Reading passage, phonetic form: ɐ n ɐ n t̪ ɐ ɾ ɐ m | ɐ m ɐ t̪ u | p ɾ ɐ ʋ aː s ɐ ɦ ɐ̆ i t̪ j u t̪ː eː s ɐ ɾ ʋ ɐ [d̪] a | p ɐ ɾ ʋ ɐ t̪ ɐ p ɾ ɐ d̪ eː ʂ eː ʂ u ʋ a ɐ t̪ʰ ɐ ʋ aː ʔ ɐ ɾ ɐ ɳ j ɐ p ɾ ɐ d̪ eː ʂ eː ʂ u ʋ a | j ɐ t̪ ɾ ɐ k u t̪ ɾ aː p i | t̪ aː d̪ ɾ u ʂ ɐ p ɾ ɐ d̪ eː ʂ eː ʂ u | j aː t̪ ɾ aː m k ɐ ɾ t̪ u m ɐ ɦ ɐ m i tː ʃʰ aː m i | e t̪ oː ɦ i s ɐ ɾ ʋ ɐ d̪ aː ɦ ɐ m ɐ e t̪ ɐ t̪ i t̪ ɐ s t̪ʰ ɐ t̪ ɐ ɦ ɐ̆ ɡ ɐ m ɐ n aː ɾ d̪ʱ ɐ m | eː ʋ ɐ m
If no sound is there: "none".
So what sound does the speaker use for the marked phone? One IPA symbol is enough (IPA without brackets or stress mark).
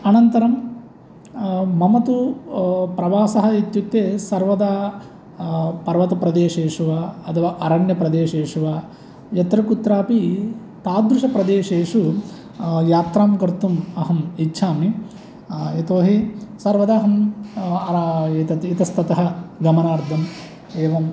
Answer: d̪